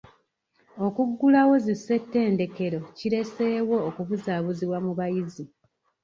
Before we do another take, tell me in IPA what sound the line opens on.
o̞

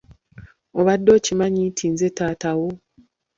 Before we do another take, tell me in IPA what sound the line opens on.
o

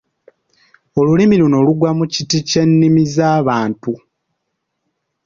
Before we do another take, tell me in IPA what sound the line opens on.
o̞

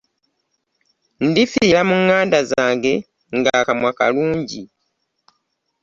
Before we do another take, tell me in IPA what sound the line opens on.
n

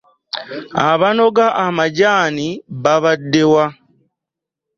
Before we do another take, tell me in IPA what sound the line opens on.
a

